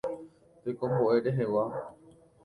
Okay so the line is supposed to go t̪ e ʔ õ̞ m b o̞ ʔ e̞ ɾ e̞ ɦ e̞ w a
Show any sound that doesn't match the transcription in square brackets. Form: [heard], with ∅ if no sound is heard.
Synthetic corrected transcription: t̪ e [k] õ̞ m b o̞ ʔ e̞ ɾ e̞ ɦ e̞ w a